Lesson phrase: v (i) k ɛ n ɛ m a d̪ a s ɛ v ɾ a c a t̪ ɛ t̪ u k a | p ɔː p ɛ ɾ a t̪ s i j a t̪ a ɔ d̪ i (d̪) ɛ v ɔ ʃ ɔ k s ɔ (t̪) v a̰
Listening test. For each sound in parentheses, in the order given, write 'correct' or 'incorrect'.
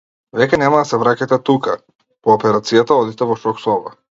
incorrect, incorrect, incorrect

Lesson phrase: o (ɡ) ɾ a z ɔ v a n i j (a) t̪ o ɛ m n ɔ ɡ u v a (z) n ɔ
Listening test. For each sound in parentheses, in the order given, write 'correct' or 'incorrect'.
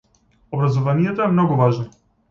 incorrect, incorrect, incorrect

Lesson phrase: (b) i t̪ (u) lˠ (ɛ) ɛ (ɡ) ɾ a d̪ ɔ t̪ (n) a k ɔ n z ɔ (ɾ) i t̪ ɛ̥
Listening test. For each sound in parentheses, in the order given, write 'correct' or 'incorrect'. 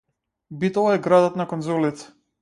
correct, incorrect, incorrect, correct, correct, incorrect

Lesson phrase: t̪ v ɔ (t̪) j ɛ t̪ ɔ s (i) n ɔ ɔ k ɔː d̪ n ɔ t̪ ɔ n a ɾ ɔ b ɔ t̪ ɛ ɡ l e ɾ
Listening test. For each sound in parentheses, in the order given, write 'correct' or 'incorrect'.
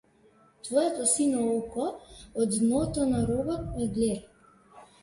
incorrect, correct

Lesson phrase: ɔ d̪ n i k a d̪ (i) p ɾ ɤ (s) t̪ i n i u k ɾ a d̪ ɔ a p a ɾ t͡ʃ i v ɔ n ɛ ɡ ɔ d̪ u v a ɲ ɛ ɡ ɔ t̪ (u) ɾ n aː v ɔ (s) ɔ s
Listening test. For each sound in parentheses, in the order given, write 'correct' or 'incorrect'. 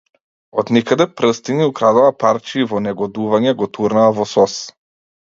incorrect, correct, correct, correct

